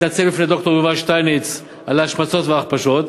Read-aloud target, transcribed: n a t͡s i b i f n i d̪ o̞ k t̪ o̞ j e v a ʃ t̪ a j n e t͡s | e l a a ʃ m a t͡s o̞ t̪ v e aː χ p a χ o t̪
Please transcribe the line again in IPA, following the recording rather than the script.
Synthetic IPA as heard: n a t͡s e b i f n e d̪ o̞ k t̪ o̞ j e v a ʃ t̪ a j n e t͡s | a l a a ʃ m a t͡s o̞ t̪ v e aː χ p a ʃ o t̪